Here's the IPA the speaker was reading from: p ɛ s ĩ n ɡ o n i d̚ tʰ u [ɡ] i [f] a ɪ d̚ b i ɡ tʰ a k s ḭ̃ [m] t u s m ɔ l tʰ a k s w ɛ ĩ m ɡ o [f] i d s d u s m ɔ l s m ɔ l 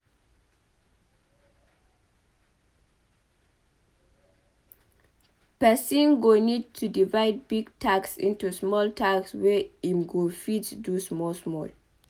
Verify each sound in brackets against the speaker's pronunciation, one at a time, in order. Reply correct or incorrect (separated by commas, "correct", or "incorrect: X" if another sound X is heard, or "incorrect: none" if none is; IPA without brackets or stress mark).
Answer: incorrect: d, incorrect: v, incorrect: n, correct